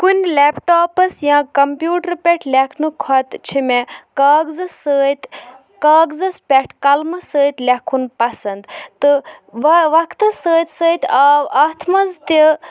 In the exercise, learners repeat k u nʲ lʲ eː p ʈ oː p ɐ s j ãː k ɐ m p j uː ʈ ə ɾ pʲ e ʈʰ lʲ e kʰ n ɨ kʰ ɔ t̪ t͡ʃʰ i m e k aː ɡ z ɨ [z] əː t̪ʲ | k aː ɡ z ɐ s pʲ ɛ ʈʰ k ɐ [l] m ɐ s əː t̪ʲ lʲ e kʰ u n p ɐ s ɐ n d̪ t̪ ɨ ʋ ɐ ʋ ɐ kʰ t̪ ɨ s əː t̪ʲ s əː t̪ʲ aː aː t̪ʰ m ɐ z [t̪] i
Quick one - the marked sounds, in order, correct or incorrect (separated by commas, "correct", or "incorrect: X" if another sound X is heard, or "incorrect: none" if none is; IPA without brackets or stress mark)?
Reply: incorrect: s, correct, correct